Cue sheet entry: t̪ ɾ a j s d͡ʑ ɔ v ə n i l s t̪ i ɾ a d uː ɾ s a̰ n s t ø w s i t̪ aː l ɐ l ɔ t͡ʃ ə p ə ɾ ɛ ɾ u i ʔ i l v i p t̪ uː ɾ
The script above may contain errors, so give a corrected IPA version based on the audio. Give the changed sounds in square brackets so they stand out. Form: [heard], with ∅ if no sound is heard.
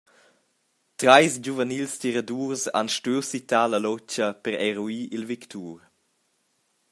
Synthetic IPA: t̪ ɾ a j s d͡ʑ [u] v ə n i l s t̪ i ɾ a d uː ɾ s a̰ n [ʃ] t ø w s i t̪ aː l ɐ l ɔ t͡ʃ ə p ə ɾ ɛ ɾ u i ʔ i l v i [k] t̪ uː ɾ

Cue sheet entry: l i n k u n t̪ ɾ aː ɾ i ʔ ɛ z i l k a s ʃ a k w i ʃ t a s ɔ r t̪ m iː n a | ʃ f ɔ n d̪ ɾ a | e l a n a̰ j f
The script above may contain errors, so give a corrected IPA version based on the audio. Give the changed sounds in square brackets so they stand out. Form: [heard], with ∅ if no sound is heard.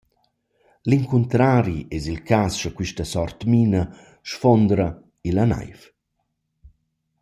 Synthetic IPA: l i [ŋ] k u n t̪ ɾ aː ɾ i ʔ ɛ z i l k a s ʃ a k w i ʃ t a s ɔ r t̪ m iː n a | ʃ f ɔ n d̪ ɾ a | [i] l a n a̰ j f

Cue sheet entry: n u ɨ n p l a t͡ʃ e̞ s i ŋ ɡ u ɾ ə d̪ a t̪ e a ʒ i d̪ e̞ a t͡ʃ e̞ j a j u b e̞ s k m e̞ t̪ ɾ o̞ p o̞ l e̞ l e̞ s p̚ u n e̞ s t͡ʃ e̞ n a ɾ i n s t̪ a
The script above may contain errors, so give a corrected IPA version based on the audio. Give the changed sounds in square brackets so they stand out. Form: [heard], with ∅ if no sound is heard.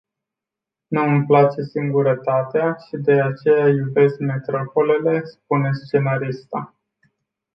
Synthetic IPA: n u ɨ [m] p l a t͡ʃ e̞ s i ŋ ɡ u ɾ ə [t̪] a t̪ e a [ʃ] i d̪ e̞ a t͡ʃ e̞ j a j u b e̞ s k m e̞ t̪ ɾ o̞ p o̞ l e̞ l e̞ s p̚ u n e̞ s t͡ʃ e̞ n a ɾ i [∅] s t̪ a

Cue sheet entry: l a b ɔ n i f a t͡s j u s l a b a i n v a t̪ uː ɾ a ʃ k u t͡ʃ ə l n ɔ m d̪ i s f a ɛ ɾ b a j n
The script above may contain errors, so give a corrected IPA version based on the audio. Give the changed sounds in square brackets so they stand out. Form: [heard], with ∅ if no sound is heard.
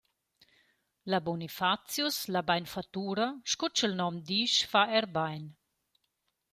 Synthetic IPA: l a b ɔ n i f a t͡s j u s l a b a [j] n [f] a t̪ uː ɾ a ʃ k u t͡ʃ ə l n ɔ m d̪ i [ʃ] f a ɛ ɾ b a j n

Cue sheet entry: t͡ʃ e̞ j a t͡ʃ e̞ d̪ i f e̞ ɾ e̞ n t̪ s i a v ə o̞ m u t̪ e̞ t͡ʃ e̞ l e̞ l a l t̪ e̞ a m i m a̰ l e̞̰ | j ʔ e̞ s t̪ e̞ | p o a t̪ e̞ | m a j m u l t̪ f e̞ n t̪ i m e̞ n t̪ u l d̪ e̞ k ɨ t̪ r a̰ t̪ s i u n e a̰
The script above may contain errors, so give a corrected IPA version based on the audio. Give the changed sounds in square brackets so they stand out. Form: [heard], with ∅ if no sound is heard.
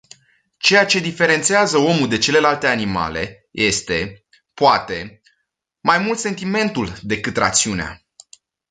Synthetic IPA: t͡ʃ e̞ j a t͡ʃ e̞ d̪ i f e̞ ɾ e̞ n t̪ s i a [z] ə o̞ m u [d̪] e̞ t͡ʃ e̞ l e̞ l a l t̪ e̞ a [n] i m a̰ l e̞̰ | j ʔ e̞ s t̪ e̞ | p o a t̪ e̞ | m a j m u l t̪ [s] e̞ n t̪ i m e̞ n t̪ u l d̪ e̞ k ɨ t̪ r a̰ t̪ s i u n e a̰

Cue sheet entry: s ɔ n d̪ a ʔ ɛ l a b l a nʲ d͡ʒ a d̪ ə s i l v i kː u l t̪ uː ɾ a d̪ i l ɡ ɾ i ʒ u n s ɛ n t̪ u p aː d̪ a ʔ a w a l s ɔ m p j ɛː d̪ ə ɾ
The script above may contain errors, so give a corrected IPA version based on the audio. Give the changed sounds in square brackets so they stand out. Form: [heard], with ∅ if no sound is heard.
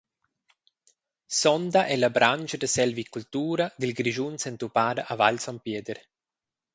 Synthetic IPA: s ɔ n d̪ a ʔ ɛ l a b [ɾ] a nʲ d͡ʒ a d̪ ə s [ɛ] l v i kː u l t̪ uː ɾ a d̪ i l ɡ ɾ i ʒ u n s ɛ n t̪ u p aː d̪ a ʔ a [v] a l s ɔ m p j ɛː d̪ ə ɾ

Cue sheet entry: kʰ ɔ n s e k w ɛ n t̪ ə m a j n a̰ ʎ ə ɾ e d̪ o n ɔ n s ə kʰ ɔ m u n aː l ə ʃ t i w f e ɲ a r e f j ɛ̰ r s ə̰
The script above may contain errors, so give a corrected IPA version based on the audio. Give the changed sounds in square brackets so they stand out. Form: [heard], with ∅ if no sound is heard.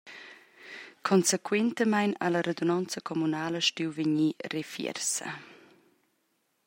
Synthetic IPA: kʰ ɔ n s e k w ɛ n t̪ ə m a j n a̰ [l] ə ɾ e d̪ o n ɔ n [t͡s] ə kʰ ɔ m u n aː l ə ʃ t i w [v] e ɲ [i] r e f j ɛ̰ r s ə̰

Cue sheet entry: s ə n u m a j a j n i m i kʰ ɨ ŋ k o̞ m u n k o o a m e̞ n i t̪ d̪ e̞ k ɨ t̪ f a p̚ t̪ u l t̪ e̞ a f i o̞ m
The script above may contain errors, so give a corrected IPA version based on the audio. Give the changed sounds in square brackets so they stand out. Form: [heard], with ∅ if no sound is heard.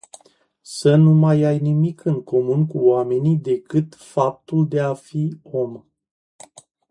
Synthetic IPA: s ə n u m a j a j n i m i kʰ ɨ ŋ k o̞ m u n k [u] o a m e̞ n i [∅] d̪ e̞ k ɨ t̪ f a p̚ t̪ u l [d̪] e̞ a f i o̞ m

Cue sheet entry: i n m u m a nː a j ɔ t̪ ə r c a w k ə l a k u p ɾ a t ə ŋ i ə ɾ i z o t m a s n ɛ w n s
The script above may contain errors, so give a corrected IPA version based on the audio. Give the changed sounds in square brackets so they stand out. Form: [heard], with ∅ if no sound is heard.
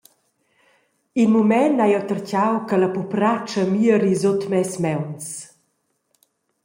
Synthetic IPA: i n m u m [ɛ] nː a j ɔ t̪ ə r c a w k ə l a [p] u p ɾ a [t͡ʃ] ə [m] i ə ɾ i z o t m [ɛ] s [m] ɛ w n s

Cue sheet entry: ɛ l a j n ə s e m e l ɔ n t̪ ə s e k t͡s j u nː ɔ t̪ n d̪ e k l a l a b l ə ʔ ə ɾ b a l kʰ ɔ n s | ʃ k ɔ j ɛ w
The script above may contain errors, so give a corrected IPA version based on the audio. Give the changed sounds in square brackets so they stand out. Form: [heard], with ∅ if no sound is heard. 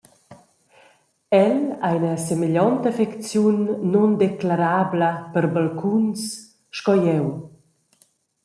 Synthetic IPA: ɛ l a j n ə s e m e [ʎ] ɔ n t̪ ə [f] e k t͡s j u nː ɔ [∅] n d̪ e k l a [ɾ] a b l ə [p] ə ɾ b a l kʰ [u] n s | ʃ k ɔ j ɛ w

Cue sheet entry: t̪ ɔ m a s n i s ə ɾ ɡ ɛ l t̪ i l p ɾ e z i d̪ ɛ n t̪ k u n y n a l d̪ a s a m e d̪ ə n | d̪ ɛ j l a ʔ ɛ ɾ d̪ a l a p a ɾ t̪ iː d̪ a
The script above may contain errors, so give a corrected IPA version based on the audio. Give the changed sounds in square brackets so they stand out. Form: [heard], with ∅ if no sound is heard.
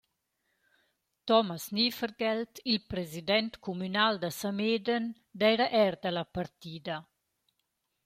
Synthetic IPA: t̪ ɔ m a s n i [f] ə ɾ ɡ ɛ l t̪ i l p ɾ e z i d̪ ɛ n t̪ k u [m] y n a l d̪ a s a m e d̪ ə n | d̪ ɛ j [ɾ] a ʔ ɛ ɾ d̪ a l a p a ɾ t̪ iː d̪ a

